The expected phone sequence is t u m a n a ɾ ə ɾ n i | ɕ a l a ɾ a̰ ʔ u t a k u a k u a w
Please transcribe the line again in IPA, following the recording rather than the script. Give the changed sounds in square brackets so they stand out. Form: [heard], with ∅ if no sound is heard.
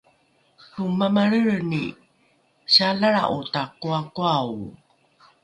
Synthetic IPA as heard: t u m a [m] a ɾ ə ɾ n i | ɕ a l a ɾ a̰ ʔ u t a k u a k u a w